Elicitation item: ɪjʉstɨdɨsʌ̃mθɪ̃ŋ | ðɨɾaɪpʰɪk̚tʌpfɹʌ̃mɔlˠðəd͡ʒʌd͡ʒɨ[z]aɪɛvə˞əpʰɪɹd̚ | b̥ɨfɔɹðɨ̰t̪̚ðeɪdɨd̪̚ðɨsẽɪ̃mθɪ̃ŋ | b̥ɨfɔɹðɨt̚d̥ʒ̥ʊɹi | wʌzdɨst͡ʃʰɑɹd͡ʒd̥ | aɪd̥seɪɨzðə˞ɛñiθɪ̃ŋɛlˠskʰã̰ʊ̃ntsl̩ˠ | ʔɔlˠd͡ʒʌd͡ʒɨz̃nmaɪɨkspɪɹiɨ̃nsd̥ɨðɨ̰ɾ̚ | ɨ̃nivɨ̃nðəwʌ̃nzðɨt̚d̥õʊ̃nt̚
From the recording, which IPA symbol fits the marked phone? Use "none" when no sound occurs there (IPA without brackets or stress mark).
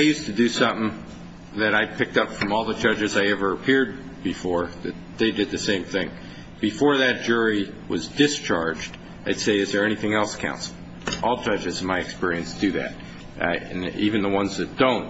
z